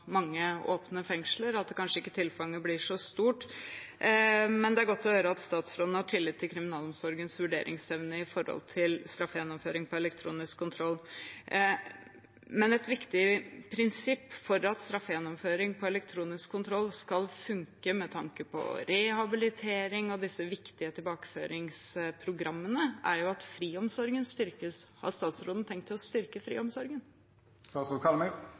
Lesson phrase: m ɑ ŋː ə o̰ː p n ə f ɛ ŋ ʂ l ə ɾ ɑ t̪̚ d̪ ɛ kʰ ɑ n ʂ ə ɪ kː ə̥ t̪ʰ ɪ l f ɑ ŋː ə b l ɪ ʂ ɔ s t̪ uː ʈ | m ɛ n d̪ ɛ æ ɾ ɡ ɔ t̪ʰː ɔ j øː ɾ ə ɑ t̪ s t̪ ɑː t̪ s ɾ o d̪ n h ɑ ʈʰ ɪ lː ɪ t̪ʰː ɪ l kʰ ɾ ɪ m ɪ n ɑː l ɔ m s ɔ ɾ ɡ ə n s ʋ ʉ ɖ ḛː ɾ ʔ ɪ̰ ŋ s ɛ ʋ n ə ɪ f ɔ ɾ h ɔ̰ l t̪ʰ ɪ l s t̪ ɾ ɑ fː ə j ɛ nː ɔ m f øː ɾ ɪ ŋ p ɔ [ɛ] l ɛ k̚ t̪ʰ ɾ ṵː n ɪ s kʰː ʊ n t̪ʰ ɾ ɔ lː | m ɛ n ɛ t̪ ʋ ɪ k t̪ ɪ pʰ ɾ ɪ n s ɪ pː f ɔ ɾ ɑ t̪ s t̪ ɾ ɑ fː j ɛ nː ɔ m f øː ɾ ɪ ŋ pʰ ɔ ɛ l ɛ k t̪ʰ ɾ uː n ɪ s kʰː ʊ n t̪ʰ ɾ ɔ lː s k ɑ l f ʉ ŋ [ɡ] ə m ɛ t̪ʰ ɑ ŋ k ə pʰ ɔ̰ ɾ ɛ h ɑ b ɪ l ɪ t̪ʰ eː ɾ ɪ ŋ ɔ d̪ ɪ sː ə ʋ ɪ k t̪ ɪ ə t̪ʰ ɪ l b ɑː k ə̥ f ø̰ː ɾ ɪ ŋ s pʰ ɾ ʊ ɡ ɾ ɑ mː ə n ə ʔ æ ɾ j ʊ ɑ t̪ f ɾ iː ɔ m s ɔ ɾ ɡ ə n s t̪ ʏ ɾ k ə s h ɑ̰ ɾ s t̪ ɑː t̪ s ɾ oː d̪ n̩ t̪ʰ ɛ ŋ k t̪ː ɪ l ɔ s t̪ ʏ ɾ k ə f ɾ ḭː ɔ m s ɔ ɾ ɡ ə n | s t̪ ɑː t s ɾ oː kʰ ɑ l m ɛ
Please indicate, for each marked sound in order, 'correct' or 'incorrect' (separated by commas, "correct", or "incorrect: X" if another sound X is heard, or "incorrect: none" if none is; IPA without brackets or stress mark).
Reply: correct, incorrect: k